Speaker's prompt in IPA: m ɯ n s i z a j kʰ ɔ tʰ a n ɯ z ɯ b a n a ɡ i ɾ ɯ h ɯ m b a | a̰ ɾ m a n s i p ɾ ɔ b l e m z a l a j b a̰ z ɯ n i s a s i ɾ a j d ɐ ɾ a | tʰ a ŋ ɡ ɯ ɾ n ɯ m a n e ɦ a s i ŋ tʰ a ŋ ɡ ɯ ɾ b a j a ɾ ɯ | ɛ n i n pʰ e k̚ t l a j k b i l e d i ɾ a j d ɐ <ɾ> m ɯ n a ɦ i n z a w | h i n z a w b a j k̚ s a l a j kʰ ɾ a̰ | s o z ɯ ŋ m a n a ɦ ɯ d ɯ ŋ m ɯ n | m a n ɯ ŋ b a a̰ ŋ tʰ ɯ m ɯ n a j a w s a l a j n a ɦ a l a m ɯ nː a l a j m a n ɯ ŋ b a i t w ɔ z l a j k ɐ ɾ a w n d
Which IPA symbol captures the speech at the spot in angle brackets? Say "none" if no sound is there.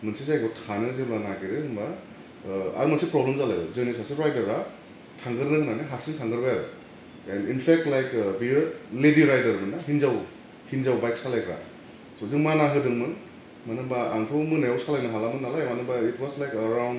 ɾ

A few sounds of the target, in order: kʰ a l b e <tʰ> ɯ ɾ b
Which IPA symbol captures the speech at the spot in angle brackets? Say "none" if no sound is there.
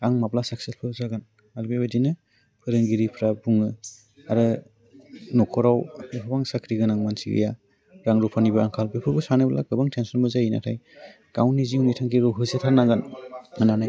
pʰ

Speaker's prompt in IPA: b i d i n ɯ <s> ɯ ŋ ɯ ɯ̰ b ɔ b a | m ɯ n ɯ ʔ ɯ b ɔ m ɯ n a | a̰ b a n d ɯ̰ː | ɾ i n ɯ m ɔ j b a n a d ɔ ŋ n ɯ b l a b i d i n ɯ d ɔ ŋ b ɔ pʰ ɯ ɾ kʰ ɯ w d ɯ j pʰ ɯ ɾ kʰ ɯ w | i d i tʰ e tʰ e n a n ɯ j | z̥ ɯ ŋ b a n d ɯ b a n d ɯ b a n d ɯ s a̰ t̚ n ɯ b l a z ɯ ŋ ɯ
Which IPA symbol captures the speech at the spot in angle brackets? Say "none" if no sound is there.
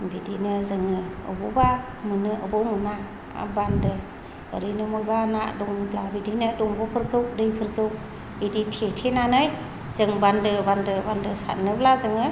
z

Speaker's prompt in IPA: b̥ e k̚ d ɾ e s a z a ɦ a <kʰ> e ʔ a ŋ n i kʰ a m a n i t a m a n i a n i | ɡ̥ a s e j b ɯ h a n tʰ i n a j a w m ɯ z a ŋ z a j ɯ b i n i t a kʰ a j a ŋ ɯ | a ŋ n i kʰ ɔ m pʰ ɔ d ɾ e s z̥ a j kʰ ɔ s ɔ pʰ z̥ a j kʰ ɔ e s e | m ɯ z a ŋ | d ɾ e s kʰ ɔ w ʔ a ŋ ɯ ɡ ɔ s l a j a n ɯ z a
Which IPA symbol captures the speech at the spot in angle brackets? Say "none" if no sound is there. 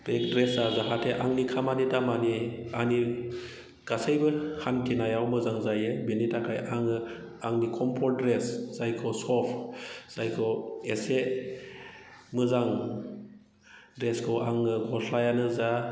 tʰ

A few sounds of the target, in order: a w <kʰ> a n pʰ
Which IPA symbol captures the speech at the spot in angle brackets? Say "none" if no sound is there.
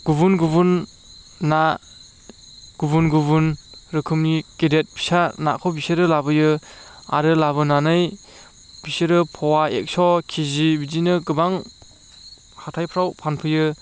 pʰ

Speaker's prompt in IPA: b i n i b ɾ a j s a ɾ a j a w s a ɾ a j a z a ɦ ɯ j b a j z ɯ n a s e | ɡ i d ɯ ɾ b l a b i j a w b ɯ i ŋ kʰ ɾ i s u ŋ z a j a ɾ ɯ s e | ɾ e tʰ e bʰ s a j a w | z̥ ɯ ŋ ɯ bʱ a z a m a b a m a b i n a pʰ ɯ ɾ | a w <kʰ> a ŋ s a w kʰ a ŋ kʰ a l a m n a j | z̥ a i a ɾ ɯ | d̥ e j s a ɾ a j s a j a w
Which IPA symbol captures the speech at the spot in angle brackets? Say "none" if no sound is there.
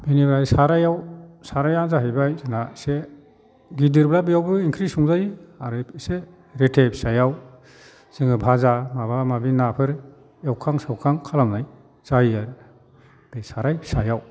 kʰ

